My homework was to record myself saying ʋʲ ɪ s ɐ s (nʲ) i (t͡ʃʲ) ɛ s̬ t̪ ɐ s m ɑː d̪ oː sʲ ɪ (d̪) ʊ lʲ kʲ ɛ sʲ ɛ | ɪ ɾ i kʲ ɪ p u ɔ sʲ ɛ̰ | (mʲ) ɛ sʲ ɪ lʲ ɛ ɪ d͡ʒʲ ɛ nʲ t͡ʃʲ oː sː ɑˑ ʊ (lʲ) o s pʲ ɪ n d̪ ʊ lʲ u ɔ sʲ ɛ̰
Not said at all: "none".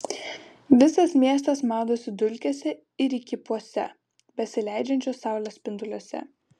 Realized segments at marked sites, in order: mʲ, none, d̪, bʲ, lʲ

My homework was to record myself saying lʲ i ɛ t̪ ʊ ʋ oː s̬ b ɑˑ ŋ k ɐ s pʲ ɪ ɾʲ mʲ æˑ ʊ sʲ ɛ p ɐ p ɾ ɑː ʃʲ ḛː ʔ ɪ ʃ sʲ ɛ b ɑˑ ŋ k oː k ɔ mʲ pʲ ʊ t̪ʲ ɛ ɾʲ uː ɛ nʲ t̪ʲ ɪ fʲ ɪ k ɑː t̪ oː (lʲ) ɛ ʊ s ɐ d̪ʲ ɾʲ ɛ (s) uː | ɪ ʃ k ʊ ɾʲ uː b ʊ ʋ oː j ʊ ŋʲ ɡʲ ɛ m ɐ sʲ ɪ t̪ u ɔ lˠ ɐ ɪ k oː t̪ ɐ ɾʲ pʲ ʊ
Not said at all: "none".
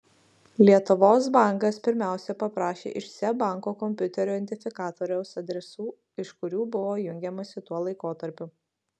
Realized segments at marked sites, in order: ɾʲ, s

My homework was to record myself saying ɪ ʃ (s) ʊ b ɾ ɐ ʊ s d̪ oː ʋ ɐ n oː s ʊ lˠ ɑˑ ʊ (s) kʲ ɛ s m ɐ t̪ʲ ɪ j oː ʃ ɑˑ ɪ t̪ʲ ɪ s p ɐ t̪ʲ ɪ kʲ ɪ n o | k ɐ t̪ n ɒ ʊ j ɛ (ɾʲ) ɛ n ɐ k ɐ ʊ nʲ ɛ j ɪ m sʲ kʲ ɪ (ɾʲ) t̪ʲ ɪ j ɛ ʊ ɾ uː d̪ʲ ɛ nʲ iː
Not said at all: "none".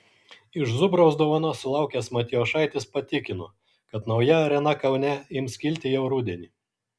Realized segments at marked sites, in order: z, none, ɾʲ, lʲ

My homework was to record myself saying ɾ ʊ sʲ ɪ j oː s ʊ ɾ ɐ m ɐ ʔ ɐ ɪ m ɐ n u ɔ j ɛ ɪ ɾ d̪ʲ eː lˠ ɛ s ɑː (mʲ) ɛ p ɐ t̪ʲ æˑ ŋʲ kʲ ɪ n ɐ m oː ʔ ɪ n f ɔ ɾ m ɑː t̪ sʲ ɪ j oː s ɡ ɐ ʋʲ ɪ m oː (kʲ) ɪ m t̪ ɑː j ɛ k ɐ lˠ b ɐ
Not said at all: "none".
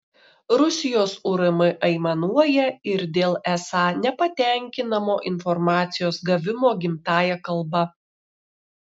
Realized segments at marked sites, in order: nʲ, ɡʲ

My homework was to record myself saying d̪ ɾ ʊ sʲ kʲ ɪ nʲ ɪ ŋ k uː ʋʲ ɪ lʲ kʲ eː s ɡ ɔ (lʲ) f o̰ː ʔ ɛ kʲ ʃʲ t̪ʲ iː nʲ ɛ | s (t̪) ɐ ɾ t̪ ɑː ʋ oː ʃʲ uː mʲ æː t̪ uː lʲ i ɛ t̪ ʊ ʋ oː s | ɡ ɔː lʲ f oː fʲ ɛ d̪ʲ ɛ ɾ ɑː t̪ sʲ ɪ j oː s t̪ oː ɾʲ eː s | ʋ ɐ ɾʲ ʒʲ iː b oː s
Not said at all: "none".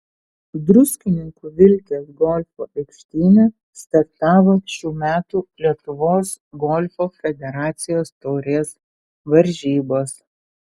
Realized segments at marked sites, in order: lʲ, t̪

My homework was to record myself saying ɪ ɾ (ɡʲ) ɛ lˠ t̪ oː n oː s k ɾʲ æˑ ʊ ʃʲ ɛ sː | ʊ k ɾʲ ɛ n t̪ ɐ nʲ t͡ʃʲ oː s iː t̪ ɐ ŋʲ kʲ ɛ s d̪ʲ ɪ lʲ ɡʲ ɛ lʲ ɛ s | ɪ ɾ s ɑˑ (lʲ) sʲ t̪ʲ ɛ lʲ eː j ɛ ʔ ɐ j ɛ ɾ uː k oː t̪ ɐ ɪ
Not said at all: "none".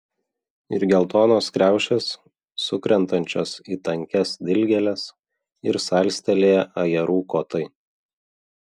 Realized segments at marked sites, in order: ɡʲ, lʲ

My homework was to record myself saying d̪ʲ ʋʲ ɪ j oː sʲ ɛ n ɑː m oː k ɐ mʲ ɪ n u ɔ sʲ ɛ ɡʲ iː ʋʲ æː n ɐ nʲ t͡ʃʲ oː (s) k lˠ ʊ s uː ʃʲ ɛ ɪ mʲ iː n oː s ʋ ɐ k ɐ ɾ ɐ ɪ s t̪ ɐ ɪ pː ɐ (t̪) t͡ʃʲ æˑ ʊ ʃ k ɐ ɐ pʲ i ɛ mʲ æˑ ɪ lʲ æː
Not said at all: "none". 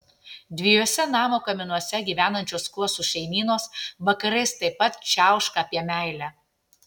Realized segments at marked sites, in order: s, t̪

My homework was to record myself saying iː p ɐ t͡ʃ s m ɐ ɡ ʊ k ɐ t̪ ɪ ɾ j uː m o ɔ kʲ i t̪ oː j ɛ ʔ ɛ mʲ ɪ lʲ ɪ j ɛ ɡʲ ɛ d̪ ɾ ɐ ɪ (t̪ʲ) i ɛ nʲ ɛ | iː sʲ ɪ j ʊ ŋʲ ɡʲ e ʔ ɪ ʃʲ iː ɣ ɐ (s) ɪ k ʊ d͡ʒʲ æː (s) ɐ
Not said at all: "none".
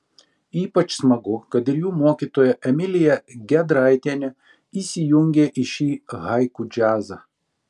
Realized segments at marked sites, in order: t̪ʲ, none, z

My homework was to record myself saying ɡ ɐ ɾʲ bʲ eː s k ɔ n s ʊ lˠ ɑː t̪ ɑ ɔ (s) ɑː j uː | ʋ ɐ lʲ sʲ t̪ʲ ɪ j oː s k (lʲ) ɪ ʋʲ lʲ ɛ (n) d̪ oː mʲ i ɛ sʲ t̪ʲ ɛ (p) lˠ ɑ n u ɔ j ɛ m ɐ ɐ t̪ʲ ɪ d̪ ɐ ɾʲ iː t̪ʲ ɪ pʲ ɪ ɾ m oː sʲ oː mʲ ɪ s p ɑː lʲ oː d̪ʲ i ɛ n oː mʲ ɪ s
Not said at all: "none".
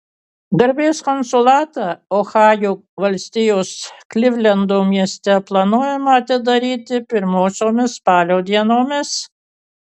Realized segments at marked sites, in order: x, lʲ, n, p

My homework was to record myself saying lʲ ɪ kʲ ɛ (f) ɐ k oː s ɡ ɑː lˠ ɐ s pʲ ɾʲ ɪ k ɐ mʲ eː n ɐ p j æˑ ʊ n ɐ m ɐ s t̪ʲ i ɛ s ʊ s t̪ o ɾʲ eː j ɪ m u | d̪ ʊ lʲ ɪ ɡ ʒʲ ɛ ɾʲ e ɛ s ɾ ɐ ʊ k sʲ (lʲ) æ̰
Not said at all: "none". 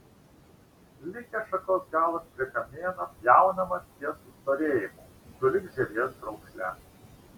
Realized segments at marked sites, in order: ʃ, lʲ

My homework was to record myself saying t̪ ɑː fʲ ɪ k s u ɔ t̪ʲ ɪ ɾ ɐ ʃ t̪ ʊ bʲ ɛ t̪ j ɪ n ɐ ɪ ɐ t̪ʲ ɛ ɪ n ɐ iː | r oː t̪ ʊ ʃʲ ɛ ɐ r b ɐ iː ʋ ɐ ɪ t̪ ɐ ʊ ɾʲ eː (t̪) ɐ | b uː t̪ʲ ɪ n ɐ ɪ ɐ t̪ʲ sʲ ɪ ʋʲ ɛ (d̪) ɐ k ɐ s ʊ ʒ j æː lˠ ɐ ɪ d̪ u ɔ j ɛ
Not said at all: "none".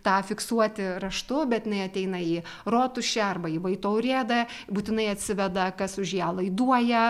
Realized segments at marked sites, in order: d̪, d̪

